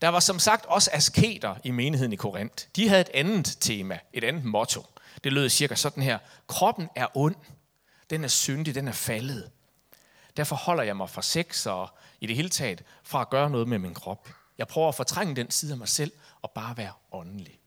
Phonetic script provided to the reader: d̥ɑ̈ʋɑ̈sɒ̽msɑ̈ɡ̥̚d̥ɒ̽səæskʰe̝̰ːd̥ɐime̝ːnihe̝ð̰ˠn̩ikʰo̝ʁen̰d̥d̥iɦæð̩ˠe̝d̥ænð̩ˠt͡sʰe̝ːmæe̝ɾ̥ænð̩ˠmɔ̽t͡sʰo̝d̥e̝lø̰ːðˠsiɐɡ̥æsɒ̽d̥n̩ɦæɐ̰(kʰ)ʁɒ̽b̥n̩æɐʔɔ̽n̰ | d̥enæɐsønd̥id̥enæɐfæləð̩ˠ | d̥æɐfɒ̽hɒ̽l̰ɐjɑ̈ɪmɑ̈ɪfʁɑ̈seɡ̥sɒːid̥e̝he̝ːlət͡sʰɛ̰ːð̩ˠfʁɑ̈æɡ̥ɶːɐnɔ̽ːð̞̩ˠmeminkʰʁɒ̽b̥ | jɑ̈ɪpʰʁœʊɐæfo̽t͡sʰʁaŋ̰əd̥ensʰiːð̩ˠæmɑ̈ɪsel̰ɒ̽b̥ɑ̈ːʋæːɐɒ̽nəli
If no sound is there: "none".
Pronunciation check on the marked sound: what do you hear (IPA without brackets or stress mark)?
kʰ